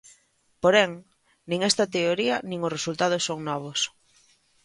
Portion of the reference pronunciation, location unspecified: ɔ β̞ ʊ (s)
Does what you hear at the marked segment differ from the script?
no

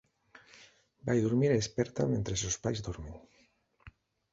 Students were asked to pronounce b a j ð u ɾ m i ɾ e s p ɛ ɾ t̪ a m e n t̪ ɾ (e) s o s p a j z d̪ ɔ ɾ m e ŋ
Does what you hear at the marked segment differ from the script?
no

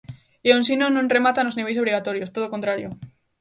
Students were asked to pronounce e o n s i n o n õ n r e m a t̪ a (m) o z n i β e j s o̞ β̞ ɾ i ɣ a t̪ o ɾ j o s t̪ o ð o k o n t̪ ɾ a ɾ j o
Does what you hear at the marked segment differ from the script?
yes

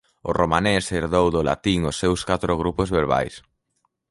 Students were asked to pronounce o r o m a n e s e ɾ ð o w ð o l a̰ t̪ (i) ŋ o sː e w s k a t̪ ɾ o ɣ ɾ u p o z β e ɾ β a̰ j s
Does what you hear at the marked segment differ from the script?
no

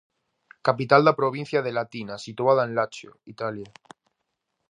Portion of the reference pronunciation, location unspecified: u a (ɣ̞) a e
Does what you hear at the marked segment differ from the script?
yes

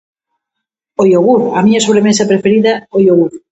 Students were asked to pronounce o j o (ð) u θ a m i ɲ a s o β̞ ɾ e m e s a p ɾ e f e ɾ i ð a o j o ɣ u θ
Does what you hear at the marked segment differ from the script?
yes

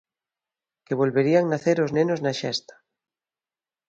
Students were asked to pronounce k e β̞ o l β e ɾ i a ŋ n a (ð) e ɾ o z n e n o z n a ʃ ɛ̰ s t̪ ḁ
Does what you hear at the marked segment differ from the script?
yes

